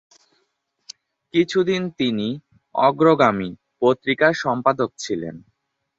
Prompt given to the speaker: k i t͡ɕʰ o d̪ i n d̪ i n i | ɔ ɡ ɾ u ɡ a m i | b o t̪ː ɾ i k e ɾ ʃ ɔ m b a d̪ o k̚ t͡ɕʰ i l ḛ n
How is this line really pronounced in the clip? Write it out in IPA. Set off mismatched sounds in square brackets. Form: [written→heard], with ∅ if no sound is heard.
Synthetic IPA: k i t͡ɕʰ [o→u] d̪ i n [d̪→t̪] i n i | ɔ ɡ ɾ [u→o] ɡ a m i | [b→p] o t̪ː ɾ i k [e→a] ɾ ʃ ɔ m [b→p] a d̪ o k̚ t͡ɕʰ i l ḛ n